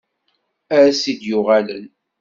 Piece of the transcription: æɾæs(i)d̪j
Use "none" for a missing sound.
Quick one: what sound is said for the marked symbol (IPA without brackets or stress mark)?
i